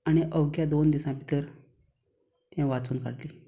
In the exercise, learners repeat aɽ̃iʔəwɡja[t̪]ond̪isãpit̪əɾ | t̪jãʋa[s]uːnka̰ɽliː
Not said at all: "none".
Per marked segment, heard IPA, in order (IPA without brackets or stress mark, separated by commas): d̪, t͡s